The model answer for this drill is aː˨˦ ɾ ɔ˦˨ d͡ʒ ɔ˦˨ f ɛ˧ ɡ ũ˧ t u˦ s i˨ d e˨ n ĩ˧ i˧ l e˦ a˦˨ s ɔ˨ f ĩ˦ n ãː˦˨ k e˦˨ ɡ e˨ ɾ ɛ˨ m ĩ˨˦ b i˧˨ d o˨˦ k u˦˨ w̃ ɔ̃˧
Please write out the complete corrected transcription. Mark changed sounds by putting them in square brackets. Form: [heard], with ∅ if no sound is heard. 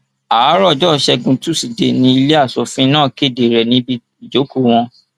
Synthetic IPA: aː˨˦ ɾ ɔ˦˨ d͡ʒ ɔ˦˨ [ʃ] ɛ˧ ɡ ũ˧ t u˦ s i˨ d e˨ n ĩ˧ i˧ l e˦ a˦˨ s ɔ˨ f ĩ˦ n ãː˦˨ k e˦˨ [d] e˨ ɾ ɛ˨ [n] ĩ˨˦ b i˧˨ [d͡ʒ] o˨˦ k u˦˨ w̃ ɔ̃˧